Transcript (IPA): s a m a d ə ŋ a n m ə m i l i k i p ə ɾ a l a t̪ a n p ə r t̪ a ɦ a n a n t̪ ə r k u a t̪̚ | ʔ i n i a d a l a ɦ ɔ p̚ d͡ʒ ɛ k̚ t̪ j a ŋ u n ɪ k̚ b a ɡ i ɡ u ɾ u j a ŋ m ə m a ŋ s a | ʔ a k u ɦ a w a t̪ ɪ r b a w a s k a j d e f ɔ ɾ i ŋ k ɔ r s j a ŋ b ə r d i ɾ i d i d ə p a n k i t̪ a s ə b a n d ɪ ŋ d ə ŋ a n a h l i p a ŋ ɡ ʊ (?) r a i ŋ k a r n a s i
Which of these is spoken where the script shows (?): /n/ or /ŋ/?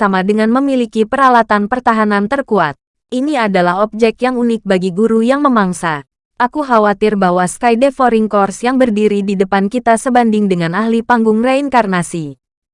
ŋ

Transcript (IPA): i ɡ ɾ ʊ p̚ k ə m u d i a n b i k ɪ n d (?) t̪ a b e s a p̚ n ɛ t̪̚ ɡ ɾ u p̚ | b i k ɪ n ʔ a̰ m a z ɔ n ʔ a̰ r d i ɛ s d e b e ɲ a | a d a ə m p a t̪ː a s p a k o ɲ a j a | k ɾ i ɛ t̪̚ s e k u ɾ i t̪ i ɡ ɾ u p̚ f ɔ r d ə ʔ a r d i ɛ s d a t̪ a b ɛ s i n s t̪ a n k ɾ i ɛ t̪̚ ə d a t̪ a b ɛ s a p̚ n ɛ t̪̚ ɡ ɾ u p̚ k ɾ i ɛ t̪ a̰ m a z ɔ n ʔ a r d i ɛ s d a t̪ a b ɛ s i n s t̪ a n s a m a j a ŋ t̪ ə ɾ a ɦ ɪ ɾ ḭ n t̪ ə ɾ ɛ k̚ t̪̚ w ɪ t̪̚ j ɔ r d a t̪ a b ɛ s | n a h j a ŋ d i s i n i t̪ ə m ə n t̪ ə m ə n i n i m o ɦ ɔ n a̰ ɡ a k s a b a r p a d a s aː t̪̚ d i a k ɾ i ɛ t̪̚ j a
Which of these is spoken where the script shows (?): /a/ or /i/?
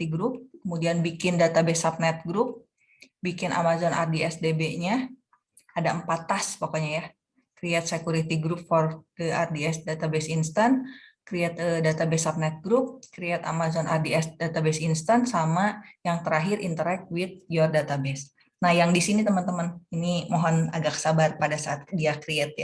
a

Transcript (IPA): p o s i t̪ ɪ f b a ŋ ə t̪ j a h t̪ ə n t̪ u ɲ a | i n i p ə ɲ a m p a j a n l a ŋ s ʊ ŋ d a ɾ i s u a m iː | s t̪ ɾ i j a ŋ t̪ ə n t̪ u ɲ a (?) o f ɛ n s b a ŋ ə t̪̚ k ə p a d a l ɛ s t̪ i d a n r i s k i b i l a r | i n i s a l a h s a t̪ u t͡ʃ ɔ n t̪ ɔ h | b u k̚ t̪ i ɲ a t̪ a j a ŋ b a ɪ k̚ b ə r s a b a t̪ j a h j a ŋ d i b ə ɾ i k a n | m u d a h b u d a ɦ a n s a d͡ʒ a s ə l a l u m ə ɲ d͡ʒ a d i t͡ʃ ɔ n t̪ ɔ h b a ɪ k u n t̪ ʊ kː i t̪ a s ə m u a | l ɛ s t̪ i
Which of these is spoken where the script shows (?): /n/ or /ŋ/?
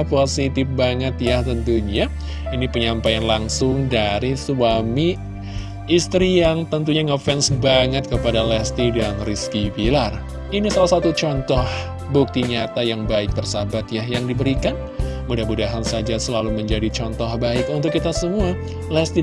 ŋ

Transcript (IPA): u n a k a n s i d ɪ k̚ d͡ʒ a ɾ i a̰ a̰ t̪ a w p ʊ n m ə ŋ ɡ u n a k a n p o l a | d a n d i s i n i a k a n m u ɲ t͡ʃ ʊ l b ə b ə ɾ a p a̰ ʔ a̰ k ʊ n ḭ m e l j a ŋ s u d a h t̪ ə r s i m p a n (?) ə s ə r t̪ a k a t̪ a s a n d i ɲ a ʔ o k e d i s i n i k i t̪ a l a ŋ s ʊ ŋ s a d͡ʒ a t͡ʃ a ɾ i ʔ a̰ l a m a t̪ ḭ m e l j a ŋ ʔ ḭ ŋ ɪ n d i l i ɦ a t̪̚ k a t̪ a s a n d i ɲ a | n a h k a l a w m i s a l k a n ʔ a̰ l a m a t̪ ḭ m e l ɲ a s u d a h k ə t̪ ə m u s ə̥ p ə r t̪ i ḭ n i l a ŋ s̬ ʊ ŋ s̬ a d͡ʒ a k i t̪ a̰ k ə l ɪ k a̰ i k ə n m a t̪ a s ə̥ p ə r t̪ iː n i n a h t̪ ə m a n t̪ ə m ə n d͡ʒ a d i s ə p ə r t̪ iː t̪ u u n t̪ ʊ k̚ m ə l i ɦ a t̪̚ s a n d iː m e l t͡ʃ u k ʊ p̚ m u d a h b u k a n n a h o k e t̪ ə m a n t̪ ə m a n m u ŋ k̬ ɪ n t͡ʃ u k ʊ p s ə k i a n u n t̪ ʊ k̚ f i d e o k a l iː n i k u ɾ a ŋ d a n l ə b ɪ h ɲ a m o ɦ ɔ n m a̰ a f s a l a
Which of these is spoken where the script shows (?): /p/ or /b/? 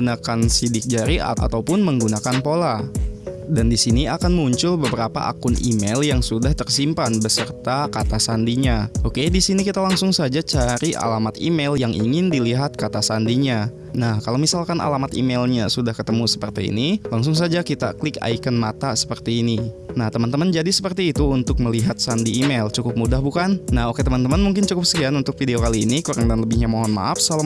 b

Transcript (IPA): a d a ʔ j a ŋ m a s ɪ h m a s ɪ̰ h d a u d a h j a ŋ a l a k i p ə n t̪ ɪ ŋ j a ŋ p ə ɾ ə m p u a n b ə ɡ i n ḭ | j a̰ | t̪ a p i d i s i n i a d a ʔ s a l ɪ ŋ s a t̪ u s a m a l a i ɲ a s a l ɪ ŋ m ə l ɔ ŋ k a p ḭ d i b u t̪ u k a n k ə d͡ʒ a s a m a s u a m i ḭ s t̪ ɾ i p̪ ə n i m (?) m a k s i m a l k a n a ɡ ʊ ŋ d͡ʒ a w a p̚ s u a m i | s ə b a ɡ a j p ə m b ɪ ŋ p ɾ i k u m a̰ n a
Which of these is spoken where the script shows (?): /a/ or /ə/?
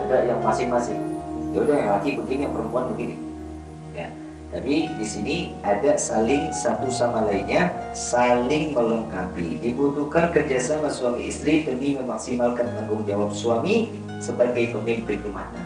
ə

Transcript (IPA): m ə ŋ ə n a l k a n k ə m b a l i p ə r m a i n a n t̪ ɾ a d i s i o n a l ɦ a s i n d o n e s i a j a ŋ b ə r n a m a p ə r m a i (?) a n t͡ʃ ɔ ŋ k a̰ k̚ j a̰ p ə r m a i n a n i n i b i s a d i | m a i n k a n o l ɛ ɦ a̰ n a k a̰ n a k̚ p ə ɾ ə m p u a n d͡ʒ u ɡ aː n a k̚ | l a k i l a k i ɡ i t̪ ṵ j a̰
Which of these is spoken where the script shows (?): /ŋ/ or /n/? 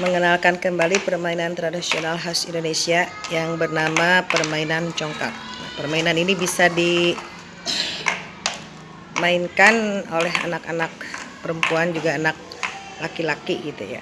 n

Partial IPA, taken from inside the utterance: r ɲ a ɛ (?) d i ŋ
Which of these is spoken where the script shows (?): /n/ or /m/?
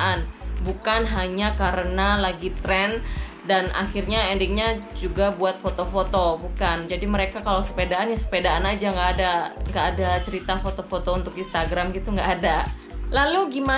n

